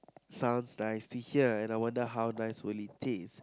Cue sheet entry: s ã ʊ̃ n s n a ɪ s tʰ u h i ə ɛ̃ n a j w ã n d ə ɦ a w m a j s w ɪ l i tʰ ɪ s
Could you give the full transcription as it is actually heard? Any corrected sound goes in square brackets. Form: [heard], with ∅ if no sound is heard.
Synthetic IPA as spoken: s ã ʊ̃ n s n a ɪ s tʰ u h i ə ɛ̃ n a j w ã n d ə ɦ a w [n] a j s w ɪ l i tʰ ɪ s